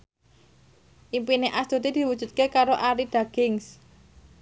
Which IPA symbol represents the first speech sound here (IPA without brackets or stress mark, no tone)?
ʔ